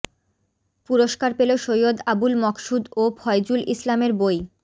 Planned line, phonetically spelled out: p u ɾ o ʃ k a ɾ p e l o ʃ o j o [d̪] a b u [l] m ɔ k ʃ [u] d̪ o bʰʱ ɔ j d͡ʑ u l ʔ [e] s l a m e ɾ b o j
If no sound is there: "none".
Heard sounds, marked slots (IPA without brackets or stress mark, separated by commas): d̪, l, u, i